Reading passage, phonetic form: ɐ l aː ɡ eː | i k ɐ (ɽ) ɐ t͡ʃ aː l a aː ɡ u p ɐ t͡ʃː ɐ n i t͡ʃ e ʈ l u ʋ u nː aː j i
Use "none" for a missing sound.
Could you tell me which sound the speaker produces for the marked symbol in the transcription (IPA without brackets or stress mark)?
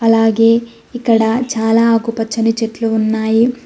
ɽ